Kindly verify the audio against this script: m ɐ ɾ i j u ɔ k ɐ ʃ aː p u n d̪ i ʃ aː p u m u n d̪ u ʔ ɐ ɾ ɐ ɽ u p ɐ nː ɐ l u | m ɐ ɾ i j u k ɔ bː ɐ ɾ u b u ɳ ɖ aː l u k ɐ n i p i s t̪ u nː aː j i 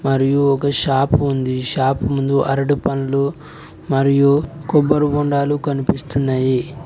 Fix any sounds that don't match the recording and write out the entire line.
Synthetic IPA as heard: m ɐ ɾ i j u ɔ k ɐ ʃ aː p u n d̪ i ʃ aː p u m u n d̪ u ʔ ɐ ɾ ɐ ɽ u p ɐ n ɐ l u | m ɐ ɾ i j u k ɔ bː ɐ ɾ u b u ɳ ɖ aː l u k ɐ n i p i s t̪ u nː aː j i